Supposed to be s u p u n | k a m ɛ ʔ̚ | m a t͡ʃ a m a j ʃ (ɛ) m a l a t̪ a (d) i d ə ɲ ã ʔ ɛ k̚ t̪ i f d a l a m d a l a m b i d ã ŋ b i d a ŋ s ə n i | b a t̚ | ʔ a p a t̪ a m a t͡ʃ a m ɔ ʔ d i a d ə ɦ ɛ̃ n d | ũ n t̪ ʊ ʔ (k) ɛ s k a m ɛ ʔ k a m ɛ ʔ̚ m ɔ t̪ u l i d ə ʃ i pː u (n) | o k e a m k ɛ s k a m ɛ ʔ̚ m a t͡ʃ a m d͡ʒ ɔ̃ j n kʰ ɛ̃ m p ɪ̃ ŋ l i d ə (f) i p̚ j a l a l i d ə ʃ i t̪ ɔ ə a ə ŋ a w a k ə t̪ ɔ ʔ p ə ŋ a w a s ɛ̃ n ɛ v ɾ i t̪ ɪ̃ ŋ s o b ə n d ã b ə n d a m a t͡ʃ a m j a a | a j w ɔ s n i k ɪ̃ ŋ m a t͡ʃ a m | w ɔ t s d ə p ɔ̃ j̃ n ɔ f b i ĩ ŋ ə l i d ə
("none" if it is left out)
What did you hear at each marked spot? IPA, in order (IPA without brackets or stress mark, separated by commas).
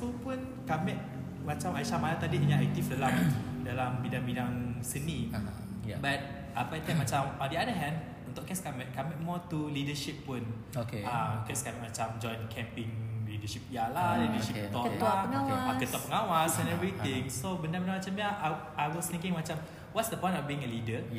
a, d, k, n, ʃ